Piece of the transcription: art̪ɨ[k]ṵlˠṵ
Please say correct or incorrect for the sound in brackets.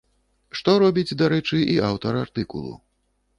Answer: correct